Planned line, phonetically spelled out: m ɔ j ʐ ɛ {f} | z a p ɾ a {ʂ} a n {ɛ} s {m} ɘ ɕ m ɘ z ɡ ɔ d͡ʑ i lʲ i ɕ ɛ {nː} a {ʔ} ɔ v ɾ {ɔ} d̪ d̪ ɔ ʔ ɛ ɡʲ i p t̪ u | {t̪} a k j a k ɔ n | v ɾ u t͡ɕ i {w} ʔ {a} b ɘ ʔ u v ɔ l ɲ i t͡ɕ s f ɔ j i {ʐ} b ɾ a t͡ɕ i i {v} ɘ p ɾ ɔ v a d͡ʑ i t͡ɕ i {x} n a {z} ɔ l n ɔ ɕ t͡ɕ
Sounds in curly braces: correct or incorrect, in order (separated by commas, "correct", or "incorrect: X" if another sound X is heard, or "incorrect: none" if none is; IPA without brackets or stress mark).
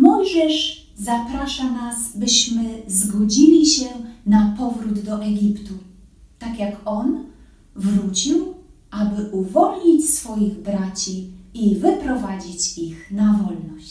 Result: incorrect: ʂ, correct, incorrect: a, incorrect: b, incorrect: n, incorrect: p, incorrect: u, correct, correct, correct, incorrect: ɣ, correct, correct, incorrect: v